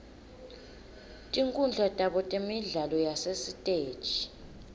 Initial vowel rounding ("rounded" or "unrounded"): unrounded